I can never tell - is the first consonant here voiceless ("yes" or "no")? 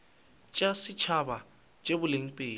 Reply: yes